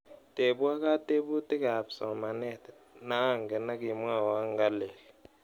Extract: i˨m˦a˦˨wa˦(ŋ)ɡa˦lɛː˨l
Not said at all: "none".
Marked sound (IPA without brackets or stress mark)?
ŋ